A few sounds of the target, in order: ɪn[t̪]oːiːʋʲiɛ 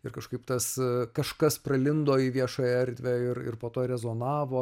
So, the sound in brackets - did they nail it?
no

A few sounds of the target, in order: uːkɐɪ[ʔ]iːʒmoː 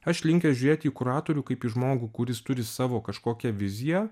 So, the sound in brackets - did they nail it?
no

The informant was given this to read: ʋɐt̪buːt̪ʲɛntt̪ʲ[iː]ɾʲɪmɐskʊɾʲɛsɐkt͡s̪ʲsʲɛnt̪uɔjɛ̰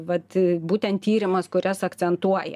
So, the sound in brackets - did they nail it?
yes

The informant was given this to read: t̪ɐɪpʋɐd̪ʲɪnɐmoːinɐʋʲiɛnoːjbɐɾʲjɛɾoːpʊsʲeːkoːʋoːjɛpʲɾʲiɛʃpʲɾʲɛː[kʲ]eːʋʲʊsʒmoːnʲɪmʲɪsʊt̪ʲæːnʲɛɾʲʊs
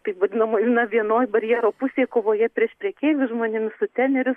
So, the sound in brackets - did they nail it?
yes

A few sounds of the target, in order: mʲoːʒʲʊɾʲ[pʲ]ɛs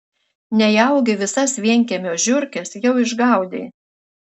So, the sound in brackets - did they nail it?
no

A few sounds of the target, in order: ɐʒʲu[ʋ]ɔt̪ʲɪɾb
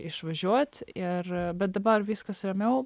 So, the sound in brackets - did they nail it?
no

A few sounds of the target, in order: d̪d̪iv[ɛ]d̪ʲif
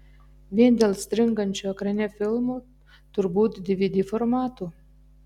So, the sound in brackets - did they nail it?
no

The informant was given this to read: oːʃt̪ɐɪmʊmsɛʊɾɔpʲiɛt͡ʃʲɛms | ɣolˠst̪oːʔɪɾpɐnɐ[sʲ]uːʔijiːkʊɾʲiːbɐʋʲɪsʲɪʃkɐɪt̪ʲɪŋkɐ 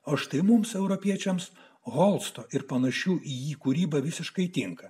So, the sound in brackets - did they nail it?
no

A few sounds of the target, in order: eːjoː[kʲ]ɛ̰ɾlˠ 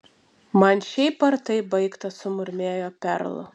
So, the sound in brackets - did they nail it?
no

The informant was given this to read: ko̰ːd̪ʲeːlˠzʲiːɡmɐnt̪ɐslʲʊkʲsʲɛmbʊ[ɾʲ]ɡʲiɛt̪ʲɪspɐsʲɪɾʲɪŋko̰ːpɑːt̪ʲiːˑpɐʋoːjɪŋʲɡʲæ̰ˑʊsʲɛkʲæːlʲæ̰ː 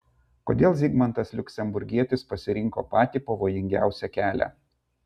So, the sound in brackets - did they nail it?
yes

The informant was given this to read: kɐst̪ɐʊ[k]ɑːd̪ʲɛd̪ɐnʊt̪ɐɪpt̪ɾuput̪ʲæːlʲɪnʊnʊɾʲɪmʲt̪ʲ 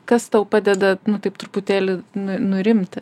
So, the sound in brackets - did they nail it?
no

